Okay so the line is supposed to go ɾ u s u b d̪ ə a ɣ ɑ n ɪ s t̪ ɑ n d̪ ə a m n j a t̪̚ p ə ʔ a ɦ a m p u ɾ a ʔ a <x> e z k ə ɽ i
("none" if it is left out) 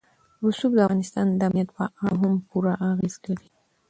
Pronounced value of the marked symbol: ɣ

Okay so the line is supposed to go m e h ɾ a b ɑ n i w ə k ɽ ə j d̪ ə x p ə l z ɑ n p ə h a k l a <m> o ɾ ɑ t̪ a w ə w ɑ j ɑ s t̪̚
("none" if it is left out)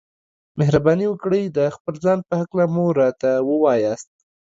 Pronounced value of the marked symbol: m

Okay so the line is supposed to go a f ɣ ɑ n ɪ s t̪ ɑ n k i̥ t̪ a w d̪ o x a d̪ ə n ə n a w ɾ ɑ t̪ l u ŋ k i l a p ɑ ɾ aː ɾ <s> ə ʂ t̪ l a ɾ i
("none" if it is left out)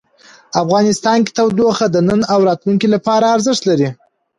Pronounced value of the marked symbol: z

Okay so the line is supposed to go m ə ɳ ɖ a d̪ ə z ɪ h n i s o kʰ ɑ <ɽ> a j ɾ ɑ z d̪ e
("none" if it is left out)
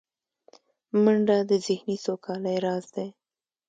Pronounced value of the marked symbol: l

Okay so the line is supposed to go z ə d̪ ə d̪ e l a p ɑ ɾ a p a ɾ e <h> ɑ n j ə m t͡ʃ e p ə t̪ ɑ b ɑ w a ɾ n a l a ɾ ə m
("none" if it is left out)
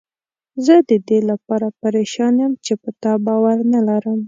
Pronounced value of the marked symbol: ʃ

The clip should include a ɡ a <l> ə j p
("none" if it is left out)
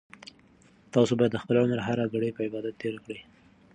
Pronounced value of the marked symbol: ɽ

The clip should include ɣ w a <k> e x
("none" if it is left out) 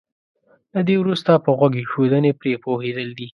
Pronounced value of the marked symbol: ɡ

